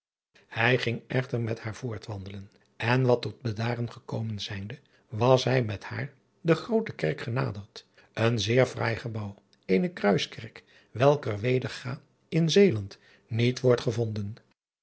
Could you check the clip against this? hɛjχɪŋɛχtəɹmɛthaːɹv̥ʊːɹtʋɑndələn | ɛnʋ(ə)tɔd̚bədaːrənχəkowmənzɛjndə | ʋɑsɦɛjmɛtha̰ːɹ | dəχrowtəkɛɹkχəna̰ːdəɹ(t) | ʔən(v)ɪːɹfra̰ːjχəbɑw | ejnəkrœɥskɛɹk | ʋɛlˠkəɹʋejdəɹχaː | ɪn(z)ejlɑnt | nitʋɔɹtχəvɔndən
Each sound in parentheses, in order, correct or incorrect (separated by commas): incorrect, correct, incorrect, correct